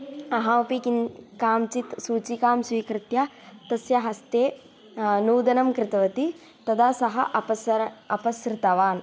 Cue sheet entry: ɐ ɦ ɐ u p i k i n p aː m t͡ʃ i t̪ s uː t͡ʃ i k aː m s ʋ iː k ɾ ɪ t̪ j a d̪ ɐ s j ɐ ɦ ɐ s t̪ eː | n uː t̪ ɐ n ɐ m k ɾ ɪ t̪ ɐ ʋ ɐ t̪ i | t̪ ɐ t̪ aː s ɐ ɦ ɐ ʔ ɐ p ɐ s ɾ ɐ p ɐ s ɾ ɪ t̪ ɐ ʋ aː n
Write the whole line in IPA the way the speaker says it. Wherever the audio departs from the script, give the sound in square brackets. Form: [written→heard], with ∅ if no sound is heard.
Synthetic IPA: ɐ ɦ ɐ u p i k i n [p→k] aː m t͡ʃ i t̪ s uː t͡ʃ i k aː m s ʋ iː k ɾ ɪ t̪ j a [d̪→t̪] ɐ s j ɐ ɦ ɐ s t̪ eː | n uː [t̪→d̪] ɐ n ɐ m k ɾ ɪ t̪ ɐ ʋ ɐ t̪ i | t̪ ɐ [t̪→d̪] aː s ɐ ɦ ɐ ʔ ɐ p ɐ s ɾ ɐ p ɐ s ɾ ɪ t̪ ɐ ʋ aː n